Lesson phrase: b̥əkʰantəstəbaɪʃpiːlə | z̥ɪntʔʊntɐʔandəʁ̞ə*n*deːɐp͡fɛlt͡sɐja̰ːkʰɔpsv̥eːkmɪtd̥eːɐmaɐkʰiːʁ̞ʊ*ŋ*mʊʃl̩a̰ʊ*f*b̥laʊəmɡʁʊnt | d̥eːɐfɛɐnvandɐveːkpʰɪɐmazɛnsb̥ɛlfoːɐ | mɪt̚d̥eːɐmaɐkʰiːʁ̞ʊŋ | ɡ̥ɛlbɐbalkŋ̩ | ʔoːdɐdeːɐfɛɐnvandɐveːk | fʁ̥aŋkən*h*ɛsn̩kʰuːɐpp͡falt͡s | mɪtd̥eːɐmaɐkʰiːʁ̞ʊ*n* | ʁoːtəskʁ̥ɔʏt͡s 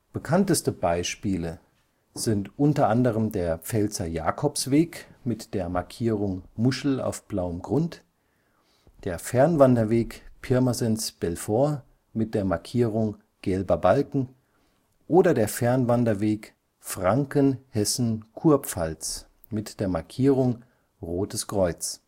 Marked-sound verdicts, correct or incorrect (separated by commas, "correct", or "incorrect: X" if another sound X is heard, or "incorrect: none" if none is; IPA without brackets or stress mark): incorrect: m, correct, correct, correct, incorrect: ŋ